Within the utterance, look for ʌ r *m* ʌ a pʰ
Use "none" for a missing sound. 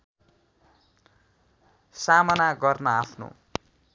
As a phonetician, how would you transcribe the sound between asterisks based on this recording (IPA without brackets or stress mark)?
n